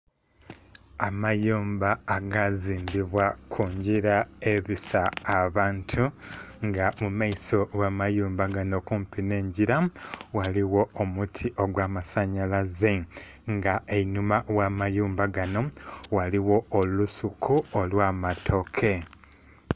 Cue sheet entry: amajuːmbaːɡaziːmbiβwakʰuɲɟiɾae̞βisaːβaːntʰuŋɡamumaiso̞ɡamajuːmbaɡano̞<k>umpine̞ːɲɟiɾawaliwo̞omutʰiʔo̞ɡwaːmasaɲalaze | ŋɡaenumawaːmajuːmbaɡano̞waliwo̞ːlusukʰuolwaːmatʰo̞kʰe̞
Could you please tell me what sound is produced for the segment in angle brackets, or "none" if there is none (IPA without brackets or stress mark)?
k